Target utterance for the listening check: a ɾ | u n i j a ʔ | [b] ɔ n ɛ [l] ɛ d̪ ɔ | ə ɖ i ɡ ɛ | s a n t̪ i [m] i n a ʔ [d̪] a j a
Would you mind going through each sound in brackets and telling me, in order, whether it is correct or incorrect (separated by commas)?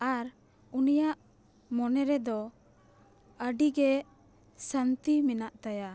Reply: incorrect, incorrect, correct, incorrect